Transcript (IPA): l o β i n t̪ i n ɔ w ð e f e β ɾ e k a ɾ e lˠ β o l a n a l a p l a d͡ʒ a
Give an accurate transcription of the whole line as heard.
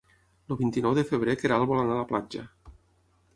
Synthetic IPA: l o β i n t̪ i n ɔ w ð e f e β ɾ e k e ɾ a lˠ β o l a n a l a p l a d͡ʒ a